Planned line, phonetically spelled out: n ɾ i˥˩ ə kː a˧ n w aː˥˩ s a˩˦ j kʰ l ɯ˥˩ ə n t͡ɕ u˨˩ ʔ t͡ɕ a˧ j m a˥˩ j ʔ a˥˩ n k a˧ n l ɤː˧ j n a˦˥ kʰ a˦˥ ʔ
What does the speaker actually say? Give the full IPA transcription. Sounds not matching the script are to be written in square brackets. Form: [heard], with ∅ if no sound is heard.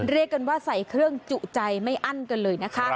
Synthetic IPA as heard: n ɾ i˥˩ ə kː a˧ n w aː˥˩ s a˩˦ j kʰ [ɾ] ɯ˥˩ ə [ŋ] t͡ɕ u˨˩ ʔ t͡ɕ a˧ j m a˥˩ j ʔ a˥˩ n k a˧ n l ɤː˧ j n a˦˥ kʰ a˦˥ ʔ